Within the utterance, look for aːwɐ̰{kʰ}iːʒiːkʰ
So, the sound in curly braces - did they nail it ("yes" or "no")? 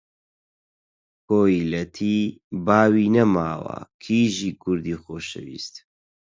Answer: yes